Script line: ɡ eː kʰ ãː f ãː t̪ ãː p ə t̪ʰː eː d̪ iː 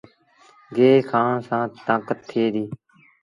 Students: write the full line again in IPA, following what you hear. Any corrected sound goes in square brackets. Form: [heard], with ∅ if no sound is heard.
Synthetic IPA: ɡ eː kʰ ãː [s] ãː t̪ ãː [k] ə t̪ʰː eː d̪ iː